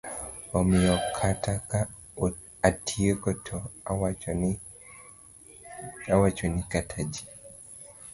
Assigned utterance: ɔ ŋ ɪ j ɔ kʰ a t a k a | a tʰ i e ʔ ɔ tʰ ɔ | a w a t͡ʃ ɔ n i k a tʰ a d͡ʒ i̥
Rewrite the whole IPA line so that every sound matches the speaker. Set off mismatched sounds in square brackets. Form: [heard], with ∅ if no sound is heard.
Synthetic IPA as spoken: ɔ [m] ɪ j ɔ kʰ a t a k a | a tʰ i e [k] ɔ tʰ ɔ | a w a t͡ʃ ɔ n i k a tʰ a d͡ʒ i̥